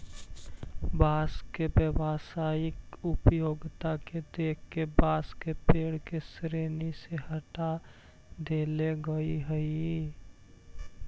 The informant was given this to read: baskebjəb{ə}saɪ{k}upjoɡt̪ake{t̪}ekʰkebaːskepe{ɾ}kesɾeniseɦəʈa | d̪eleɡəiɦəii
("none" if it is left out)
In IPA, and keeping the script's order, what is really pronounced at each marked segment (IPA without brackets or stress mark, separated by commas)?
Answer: a, k, d̪, ɽ